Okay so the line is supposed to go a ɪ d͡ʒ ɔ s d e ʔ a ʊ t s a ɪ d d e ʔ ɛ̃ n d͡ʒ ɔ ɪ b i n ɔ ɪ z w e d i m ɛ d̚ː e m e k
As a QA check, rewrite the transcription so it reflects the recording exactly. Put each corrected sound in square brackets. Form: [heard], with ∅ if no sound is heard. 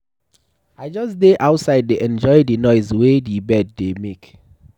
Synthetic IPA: a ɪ d͡ʒ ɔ s d e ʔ a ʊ t s a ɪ d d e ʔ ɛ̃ n d͡ʒ ɔ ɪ [d] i n ɔ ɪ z w e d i [b] ɛ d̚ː e m e k